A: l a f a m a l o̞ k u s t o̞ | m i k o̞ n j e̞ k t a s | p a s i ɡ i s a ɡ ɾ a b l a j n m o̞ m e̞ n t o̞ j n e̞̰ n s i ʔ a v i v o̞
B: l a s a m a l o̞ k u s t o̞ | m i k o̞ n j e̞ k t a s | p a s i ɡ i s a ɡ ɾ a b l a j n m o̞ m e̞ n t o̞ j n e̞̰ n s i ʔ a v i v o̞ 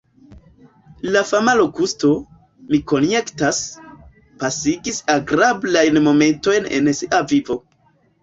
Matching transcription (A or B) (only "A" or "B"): A